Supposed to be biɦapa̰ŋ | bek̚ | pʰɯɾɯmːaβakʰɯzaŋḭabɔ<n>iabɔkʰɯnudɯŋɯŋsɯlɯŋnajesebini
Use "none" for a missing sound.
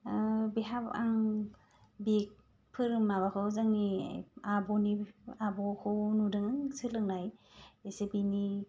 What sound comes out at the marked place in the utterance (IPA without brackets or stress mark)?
n